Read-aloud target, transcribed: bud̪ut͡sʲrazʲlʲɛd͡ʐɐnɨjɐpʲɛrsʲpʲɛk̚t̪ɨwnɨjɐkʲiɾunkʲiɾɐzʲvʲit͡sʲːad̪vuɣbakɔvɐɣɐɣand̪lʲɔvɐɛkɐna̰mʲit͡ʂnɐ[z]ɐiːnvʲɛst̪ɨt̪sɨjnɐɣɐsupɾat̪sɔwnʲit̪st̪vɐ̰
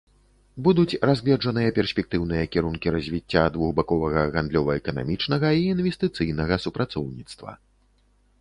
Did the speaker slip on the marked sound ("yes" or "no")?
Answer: yes